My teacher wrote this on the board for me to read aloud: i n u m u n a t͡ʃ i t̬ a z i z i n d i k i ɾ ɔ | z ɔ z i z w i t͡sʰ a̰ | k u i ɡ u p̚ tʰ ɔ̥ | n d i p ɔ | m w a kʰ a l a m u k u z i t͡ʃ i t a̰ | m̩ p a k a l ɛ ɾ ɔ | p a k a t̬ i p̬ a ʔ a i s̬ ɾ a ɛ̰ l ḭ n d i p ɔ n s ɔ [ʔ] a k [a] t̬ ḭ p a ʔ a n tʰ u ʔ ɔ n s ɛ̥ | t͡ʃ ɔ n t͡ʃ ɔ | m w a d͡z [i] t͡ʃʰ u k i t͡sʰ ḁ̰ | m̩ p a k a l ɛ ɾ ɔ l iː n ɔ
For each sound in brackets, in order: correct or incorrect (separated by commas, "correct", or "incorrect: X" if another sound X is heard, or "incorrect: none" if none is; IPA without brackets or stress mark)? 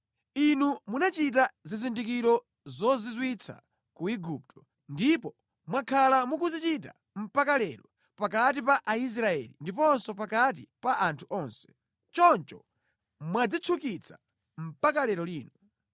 incorrect: p, correct, correct